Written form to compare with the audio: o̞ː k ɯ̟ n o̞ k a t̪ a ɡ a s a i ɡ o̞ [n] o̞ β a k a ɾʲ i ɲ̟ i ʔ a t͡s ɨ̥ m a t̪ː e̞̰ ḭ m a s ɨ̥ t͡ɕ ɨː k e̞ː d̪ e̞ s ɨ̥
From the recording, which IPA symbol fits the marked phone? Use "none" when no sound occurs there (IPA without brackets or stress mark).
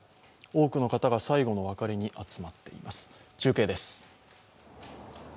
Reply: n